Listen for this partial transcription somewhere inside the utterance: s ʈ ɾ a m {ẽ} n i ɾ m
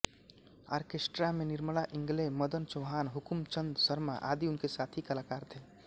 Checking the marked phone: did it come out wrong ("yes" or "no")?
yes